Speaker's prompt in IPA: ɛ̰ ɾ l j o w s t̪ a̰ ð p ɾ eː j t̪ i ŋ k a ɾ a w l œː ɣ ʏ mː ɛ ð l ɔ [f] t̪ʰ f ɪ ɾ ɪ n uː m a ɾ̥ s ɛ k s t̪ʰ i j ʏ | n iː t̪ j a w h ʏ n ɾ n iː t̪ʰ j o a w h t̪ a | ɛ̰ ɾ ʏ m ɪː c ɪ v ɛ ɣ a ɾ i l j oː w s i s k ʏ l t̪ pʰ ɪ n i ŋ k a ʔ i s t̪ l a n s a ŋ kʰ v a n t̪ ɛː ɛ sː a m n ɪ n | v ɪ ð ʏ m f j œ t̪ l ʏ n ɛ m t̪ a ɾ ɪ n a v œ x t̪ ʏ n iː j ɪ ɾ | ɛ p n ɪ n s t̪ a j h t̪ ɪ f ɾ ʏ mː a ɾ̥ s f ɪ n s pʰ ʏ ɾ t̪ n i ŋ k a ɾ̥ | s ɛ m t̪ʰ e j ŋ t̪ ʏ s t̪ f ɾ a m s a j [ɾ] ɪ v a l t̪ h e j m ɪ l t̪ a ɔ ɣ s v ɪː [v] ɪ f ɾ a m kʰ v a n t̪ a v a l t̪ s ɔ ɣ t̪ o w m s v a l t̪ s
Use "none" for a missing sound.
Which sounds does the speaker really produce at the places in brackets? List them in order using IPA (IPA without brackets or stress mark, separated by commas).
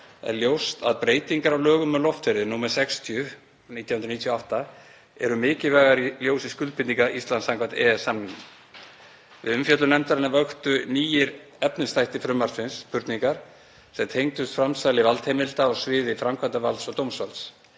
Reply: f, l, ð